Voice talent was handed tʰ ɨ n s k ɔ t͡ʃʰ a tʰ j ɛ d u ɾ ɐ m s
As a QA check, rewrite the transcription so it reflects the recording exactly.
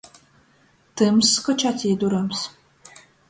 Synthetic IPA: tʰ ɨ m s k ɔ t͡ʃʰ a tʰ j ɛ d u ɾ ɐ m s